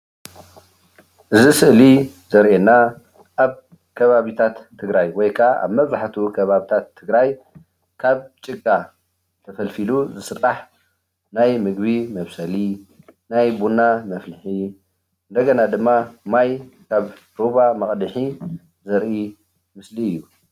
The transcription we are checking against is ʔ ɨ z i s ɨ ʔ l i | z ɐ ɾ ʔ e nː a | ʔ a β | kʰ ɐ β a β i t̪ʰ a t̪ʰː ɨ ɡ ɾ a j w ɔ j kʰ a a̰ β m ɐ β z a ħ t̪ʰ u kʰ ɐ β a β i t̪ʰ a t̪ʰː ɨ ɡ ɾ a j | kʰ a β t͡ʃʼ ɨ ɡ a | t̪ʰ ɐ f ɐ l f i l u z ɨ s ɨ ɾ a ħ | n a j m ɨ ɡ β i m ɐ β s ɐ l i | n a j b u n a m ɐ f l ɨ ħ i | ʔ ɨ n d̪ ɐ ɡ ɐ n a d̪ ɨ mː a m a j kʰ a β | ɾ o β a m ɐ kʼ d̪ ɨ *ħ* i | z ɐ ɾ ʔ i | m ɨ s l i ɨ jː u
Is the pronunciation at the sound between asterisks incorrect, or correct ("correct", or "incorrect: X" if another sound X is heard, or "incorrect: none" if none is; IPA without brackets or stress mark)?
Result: correct